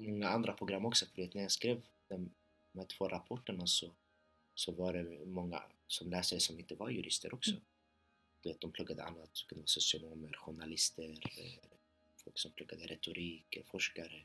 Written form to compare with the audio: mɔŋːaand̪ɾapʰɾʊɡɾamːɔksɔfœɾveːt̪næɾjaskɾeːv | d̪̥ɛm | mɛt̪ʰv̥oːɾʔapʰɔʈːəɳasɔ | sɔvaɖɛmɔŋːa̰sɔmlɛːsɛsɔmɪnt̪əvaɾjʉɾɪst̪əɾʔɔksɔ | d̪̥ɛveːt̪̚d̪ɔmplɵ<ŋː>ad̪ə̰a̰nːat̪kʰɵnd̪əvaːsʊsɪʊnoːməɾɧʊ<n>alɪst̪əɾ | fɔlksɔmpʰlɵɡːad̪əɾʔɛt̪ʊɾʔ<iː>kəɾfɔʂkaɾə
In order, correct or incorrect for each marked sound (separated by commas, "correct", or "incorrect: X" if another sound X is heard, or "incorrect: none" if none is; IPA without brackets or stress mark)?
incorrect: ɡː, incorrect: ɳ, correct